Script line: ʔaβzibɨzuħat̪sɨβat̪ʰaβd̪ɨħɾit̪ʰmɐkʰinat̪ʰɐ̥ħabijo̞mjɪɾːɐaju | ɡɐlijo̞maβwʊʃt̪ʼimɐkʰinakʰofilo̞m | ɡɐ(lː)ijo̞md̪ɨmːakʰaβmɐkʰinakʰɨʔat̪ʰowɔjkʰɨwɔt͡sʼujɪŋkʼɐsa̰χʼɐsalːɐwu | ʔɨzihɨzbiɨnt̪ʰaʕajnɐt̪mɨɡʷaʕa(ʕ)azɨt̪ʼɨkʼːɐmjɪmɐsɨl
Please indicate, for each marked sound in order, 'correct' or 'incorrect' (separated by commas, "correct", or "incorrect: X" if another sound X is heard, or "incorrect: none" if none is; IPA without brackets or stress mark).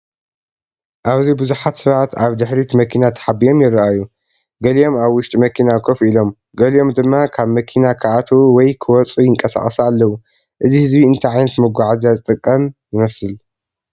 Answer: incorrect: l, incorrect: z